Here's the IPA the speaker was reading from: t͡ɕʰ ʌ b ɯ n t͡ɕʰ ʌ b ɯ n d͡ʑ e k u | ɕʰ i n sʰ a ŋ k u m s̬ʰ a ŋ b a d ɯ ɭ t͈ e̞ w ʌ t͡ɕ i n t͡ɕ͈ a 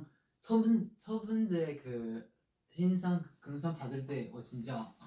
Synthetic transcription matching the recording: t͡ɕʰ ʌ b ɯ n t͡ɕʰ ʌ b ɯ n d͡ʑ e k ɯ | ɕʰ i n sʰ a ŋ k ɯ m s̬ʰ a ŋ p a d ɯ ɭ t͈ e̞ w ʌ t͡ɕ i n t͡ɕ͈ a